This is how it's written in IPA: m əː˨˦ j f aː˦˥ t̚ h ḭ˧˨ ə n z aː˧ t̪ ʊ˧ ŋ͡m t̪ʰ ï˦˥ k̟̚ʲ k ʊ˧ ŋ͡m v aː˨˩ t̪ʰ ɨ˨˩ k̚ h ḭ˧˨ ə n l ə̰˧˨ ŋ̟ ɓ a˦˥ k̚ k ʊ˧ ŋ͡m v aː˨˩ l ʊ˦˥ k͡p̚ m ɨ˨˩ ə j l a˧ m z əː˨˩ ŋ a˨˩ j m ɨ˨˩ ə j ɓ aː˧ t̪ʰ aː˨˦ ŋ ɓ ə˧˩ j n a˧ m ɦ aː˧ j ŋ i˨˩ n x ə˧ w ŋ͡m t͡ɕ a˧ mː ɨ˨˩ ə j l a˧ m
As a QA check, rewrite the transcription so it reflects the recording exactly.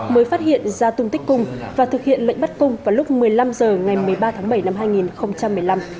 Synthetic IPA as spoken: m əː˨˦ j f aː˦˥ t̚ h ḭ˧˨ ə n z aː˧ t̪ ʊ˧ ŋ͡m t̪ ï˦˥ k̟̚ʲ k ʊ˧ ŋ͡m v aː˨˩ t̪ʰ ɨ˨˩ k̚ h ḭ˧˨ ə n l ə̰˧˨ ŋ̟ ɓ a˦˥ t̚ k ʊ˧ ŋ͡m v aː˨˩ l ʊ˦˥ k͡p̚ m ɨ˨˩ ə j l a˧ m z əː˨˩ ŋ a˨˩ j m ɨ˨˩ ə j ɓ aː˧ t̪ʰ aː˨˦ ŋ ɓ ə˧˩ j n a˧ m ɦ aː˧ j ŋ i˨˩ n x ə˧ w ŋ͡m t͡ɕ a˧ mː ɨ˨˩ ə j l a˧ m